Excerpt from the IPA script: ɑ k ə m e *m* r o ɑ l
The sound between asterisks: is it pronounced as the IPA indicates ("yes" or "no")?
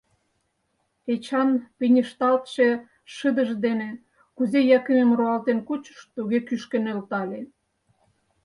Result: yes